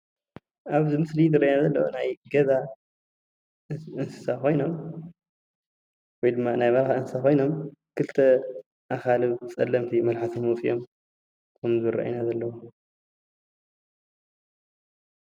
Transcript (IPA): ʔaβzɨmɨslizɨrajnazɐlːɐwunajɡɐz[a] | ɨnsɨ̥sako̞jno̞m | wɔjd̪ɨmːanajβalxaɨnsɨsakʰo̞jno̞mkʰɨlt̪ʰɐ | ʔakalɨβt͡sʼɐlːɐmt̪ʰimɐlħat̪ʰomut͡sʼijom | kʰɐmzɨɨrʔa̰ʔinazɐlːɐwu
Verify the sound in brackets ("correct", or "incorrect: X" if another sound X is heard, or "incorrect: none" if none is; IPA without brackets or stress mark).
correct